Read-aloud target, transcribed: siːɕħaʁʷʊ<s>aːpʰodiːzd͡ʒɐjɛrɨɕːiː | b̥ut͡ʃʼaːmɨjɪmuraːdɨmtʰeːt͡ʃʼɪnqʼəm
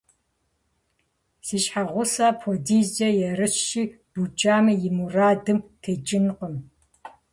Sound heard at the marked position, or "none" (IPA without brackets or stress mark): s